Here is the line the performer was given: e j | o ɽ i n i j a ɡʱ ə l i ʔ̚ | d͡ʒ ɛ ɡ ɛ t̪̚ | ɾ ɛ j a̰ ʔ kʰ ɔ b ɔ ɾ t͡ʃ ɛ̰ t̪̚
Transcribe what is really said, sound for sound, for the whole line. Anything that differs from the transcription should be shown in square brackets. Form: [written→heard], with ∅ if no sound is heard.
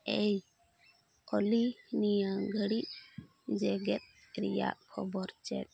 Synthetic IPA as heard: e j | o [ɽ→l] i n i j a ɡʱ ə [l→ɽ] i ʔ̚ | d͡ʒ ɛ ɡ ɛ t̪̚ | ɾ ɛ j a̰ ʔ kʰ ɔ b ɔ ɾ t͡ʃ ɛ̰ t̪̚